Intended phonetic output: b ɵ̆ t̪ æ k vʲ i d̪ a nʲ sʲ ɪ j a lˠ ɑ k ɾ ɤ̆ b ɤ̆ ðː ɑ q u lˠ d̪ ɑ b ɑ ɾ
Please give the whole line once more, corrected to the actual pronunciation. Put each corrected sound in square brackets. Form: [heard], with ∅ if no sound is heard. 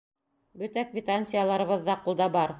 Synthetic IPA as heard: b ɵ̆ t̪ æ k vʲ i [t̪] a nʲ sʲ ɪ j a lˠ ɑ [∅] ɾ ɤ̆ [β] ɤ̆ ðː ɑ q u lˠ d̪ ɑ b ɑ ɾ